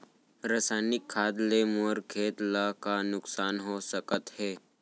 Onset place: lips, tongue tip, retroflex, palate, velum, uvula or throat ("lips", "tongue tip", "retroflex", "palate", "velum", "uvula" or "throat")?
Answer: tongue tip